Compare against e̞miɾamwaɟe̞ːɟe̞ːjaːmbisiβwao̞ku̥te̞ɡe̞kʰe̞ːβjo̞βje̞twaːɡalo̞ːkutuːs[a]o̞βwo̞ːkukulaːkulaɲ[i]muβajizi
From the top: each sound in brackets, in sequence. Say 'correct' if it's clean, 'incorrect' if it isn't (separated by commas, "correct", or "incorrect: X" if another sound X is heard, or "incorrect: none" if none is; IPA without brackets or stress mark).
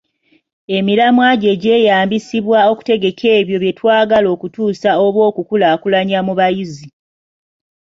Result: correct, incorrect: a